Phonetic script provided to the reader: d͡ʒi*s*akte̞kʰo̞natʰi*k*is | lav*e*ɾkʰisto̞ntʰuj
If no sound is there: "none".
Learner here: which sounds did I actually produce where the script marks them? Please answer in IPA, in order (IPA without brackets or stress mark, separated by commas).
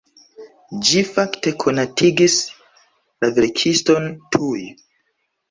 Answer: f, ɡ, e